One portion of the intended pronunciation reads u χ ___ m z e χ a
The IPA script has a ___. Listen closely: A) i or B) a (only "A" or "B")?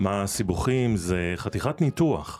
A